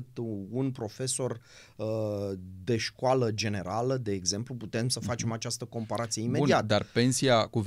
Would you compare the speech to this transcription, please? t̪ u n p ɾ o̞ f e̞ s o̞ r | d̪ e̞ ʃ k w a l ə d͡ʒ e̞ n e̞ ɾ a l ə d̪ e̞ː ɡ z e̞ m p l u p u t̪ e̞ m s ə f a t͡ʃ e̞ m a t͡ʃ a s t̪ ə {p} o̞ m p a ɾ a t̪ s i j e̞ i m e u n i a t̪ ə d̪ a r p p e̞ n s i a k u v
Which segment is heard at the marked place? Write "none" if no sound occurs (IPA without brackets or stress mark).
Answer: k